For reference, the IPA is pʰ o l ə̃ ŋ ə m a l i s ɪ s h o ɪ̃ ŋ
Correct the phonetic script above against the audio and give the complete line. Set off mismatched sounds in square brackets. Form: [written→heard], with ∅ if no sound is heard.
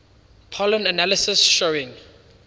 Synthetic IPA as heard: pʰ [o→ɔ] l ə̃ [ŋ→n] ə [m→n] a l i s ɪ s [h→ʃ] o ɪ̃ ŋ